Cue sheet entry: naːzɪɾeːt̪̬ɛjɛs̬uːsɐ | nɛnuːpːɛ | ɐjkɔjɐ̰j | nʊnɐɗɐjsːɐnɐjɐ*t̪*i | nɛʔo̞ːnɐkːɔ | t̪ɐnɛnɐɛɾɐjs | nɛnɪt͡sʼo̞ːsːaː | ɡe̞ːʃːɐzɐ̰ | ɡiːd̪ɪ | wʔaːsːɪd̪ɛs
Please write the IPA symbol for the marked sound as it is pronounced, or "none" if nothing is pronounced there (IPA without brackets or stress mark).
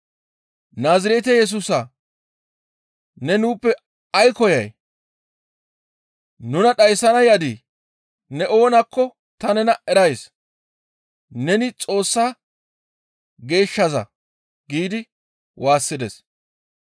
d̪